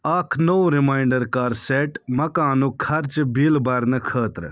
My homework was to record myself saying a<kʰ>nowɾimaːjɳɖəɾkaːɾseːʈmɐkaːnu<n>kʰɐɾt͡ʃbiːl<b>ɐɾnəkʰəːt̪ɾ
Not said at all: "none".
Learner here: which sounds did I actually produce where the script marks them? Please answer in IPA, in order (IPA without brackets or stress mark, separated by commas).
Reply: kʰ, none, b